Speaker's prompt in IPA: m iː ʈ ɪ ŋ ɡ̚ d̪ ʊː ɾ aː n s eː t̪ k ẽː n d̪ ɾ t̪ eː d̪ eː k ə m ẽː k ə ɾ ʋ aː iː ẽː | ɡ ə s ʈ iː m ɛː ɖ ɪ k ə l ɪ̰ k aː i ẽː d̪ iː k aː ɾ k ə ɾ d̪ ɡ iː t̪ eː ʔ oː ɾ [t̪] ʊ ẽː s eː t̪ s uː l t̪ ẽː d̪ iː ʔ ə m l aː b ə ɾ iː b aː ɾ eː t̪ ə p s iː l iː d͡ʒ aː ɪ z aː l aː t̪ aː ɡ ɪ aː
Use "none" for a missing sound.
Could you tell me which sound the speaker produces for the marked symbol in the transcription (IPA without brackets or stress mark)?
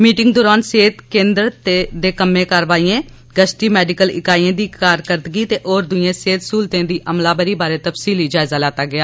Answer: d̪